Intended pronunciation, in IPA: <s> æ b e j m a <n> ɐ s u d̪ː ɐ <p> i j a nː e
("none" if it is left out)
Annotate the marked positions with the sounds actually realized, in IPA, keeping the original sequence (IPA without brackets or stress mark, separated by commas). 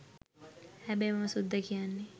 h, m, k